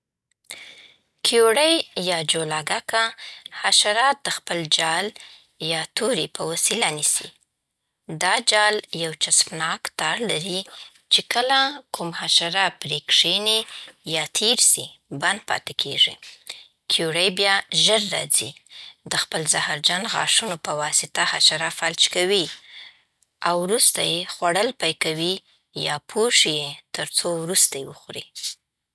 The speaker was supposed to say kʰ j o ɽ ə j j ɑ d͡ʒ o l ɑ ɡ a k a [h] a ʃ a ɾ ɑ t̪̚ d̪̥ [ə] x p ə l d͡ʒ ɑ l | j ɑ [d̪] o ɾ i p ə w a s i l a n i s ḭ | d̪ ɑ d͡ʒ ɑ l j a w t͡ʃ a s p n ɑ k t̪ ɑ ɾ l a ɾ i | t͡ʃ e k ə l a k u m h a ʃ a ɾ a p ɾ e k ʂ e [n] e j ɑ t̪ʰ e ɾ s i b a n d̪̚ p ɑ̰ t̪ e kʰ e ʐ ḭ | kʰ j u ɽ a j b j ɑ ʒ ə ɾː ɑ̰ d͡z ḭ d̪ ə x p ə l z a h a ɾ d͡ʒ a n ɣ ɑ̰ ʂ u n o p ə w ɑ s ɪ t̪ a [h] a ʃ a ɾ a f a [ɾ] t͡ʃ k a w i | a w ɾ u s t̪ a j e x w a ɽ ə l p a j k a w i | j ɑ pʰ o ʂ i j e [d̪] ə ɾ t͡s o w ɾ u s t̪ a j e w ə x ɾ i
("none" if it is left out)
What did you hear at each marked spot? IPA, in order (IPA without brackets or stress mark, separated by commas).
h, ə, t̪, n, h, l, t̪